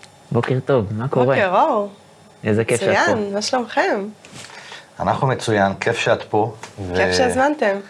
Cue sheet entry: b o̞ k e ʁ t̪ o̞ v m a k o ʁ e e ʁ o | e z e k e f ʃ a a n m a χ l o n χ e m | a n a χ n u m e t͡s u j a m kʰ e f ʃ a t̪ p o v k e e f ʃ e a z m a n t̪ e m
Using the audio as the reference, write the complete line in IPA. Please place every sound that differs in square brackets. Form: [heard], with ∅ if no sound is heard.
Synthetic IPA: b o̞ k e ʁ t̪ o̞ v m a k o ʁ e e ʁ o | e z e k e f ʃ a a n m a [ʃ] l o [m] χ e m | a n a χ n u m e t͡s u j a [n] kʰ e f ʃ a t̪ p o v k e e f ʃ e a z m a n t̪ e m